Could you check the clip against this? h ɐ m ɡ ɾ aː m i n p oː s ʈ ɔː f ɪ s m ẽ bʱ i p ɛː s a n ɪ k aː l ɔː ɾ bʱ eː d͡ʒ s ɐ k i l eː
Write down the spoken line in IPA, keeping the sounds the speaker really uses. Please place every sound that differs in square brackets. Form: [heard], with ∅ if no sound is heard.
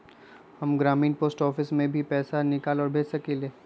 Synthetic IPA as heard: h ɐ m ɡ ɾ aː m [iː] n p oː s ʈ ɔː f ɪ s m ẽ bʱ i p ɛː s a n ɪ k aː l ɔː ɾ bʱ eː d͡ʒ s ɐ k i l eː